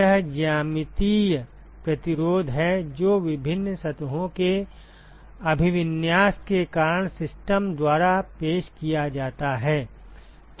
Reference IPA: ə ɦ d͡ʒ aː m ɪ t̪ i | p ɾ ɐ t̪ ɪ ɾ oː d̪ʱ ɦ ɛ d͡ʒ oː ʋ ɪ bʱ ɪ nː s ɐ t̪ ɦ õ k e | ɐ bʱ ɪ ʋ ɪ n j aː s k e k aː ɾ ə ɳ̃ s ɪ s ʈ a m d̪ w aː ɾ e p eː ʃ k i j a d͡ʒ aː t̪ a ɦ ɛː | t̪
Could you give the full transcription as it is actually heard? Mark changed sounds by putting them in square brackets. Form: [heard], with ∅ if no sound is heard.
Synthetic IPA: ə ɦ d͡ʒ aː m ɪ t̪ i | p ɾ ɐ t̪ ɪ ɾ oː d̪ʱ ɦ ɛ d͡ʒ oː ʋ ɪ bʱ ɪ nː s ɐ t̪ ɦ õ k e | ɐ bʱ ɪ ʋ ɪ n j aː s k e k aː ɾ ə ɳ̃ s ɪ s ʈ [ə] m d̪ w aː ɾ [a] p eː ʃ k i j a d͡ʒ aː t̪ a ɦ ɛː | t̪